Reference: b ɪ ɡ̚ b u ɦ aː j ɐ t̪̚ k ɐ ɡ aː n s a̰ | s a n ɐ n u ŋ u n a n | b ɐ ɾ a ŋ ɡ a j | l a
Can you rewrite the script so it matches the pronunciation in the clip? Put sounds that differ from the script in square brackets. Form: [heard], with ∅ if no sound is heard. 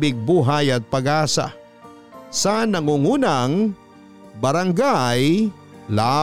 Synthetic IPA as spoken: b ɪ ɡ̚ b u ɦ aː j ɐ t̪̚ [p] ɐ ɡ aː [∅] s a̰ | s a n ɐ [ŋ] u ŋ u n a [ŋ] | b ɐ ɾ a ŋ ɡ a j | l a